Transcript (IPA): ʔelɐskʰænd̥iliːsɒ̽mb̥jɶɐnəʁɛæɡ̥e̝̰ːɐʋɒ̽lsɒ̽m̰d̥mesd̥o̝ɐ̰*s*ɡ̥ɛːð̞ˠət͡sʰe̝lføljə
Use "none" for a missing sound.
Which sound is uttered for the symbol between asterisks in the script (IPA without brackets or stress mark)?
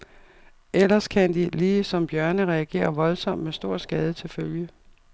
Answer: s